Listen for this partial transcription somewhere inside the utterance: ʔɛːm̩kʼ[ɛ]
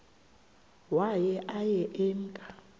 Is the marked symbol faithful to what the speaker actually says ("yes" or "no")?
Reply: no